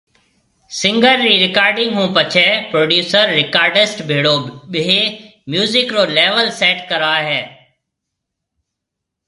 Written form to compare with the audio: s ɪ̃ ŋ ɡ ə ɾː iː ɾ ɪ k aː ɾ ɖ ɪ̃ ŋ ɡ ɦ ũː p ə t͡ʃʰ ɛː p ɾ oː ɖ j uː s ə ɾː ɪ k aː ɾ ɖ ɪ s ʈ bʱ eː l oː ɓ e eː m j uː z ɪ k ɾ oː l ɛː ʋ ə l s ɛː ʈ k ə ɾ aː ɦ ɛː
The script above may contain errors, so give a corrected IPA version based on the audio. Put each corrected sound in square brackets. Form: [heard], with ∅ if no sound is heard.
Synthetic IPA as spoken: s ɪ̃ ŋ ɡ ə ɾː iː ɾ ɪ k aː ɾ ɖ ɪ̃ ŋ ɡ ɦ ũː p ə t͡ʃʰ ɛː p ɾ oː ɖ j uː s ə ɾː ɪ k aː ɾ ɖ ɪ s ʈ bʱ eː [ɽ] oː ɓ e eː m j uː z ɪ k ɾ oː l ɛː ʋ ə l s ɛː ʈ k ə ɾ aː ɦ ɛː